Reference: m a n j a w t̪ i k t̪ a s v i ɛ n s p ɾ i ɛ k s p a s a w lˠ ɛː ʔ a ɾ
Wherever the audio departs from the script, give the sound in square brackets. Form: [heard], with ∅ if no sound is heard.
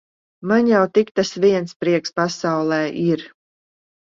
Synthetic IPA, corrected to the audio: m a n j a w t̪ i k t̪ a s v i ɛ n s p ɾ i ɛ k s p a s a w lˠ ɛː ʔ [i] ɾ